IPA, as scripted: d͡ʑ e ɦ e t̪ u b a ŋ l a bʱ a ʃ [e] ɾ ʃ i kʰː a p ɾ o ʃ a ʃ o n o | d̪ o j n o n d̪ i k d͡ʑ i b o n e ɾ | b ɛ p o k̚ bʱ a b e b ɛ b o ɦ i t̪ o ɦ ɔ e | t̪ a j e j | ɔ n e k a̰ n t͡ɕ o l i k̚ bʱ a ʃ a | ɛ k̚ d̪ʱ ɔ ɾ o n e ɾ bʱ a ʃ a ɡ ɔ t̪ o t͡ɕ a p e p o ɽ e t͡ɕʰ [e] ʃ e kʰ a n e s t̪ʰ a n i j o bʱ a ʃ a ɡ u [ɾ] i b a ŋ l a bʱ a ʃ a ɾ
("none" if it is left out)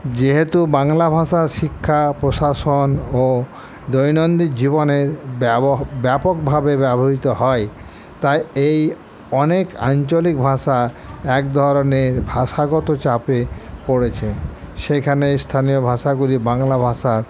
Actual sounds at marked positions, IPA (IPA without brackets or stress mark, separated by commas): a, e, l